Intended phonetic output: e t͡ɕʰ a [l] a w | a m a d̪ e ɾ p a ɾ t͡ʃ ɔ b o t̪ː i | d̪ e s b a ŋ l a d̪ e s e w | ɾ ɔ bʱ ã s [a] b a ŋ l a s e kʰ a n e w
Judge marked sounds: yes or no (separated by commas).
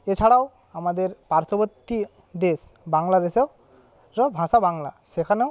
no, yes